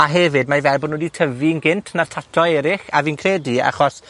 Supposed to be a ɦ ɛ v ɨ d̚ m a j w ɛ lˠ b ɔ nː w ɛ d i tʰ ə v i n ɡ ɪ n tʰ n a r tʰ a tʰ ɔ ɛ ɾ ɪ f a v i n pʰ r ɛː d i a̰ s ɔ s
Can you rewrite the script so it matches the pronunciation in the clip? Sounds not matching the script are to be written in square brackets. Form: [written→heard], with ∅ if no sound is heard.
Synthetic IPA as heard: a ɦ ɛ v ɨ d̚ m a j [w→v] ɛ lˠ b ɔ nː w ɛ d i tʰ ə v i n ɡ ɪ n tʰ n a r tʰ a tʰ ɔ ɛ ɾ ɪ [f→χ] a v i n [pʰ→kʰ] r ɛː d i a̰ [s→χ] ɔ s